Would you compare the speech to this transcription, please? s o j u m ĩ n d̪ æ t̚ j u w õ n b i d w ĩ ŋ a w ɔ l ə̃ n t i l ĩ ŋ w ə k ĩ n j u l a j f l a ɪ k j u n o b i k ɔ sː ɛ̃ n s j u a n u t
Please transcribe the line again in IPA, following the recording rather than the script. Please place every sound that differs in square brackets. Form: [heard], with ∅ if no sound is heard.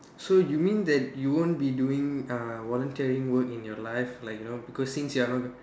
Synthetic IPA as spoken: s o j u m ĩ n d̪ [ɛ] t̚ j u w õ n b i d [u] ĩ ŋ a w ɔ l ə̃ n t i [ɹ] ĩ ŋ w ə k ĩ n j [ɔ] l a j f l a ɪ k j u n o b i k ɔ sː [ĩ] n s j u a n [ɔ] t